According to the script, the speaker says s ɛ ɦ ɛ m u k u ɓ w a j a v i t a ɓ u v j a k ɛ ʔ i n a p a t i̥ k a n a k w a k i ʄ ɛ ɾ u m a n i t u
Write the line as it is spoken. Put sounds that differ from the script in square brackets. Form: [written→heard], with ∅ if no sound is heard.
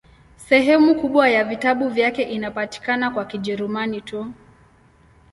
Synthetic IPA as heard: s ɛ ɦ ɛ m u k u ɓ w a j a v i t a ɓ u v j a k ɛ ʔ i n a p a t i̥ k a n a k w a k i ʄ ɛ ɾ u m a n i t u